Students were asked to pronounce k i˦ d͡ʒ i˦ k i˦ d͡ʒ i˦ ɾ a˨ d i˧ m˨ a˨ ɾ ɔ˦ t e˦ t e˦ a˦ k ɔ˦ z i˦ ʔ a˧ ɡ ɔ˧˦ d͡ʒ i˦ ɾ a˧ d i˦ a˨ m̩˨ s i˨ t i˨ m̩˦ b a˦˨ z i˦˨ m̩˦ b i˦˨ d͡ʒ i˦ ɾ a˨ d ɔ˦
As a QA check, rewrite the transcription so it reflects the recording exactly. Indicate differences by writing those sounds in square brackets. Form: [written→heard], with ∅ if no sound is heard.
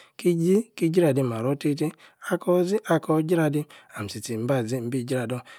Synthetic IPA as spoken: k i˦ d͡ʒ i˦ k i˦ d͡ʒ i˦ ɾ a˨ d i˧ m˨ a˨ ɾ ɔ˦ t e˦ t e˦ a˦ k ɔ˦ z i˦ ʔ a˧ [ɡ→k] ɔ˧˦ d͡ʒ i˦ ɾ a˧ d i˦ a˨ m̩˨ s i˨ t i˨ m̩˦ b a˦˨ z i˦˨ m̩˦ b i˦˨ d͡ʒ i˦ ɾ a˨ d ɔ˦